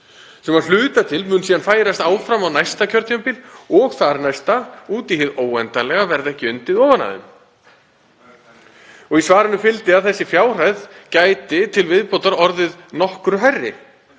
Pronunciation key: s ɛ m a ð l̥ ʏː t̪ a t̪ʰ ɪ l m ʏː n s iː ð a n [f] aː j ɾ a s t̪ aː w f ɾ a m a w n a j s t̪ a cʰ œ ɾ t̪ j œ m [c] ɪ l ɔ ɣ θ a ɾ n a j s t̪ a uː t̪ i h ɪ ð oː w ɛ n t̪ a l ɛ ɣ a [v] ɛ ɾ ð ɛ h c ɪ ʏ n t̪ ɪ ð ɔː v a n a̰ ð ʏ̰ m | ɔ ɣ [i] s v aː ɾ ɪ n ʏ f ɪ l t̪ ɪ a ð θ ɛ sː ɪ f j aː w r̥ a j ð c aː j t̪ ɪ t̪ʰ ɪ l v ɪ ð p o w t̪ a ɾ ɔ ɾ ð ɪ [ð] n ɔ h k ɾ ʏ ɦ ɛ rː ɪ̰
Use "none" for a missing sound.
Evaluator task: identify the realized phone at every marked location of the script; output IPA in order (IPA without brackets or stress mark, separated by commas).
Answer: f, p, v, i, ð